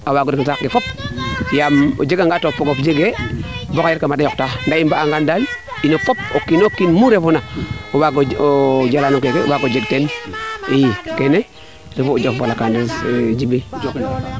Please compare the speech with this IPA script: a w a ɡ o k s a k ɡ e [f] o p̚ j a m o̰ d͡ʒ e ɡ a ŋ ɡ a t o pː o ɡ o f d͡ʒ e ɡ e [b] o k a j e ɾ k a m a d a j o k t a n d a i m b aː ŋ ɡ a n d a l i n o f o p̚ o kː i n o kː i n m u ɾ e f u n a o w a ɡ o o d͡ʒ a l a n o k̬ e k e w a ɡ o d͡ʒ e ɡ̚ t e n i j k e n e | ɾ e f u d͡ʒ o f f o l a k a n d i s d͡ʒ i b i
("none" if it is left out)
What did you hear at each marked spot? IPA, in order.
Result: f, b

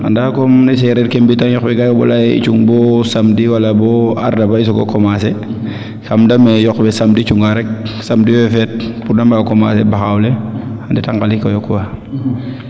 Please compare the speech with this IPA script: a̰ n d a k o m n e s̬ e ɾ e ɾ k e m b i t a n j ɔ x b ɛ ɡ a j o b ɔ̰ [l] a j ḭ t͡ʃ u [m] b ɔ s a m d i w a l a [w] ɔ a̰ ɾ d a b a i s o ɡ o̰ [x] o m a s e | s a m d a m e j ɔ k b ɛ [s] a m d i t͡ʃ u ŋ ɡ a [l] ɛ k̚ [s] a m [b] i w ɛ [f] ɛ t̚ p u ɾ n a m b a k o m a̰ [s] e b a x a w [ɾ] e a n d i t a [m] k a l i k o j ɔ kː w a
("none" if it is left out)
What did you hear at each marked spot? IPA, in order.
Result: l, ŋ, b, k, s, ɾ, s, d, f, s, l, ŋ

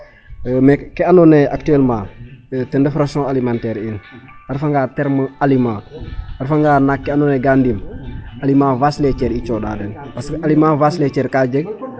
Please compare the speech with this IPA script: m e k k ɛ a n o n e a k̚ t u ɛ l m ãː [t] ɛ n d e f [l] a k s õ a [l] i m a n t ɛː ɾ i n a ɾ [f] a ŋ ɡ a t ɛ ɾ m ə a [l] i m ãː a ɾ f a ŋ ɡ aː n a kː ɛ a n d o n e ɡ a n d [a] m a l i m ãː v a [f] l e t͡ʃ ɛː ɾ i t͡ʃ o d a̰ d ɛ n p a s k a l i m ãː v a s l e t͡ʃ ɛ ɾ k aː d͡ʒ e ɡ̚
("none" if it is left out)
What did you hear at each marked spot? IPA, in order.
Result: t, ɾ, l, f, l, i, s

